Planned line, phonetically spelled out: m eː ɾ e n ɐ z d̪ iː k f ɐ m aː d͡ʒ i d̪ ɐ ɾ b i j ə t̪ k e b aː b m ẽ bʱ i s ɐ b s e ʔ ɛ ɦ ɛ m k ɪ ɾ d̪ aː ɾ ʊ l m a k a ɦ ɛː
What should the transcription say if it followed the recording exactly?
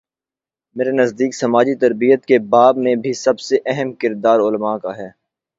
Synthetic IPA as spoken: m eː ɾ e n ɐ z d̪ iː k s ɐ m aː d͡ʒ i t̪ ɐ ɾ b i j ə t̪ k e b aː b m ẽ bʱ i s ɐ b s e ʔ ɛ ɦ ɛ m k ɪ ɾ d̪ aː ɾ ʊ l m a k a ɦ ɛː